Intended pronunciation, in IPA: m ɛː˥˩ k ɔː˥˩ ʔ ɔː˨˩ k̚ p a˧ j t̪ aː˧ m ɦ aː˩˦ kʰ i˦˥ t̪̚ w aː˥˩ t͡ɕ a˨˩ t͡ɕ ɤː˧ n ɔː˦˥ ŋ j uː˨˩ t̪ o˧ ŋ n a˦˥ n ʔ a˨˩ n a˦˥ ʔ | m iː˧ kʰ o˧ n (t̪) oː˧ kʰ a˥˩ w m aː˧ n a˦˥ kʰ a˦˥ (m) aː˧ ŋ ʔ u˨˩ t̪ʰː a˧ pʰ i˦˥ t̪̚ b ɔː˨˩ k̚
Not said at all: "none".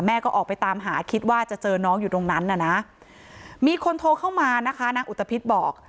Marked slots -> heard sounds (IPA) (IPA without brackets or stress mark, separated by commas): t̪ʰ, n